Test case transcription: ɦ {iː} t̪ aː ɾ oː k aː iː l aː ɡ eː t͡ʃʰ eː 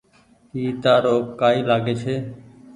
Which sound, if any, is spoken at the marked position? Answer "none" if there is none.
iː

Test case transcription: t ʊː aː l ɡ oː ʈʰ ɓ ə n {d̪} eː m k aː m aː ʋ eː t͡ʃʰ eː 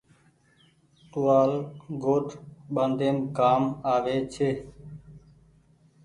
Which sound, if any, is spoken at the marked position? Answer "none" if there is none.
d̪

